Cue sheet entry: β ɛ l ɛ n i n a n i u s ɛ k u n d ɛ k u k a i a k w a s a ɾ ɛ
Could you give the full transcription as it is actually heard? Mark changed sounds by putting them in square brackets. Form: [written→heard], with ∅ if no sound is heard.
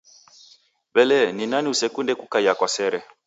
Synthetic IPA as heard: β ɛ l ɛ n i n a n i u s ɛ k u n d ɛ k u k a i a k w a s [a→ɛ] ɾ ɛ